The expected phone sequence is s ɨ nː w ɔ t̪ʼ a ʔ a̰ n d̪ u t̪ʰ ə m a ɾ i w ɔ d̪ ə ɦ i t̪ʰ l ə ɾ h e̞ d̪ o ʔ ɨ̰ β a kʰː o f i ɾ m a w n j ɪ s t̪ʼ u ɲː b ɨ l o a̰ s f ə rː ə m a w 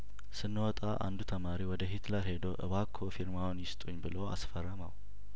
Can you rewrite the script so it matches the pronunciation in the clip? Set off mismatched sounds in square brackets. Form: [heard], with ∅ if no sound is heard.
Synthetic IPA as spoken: s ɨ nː w ɔ t̪ʼ a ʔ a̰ n d̪ u t̪ʰ ə m a ɾ i w ɔ d̪ ə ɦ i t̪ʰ l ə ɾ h e̞ d̪ o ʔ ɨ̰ β a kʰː o f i ɾ m a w n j ɪ s t̪ʼ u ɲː b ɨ l o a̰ s f ə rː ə m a w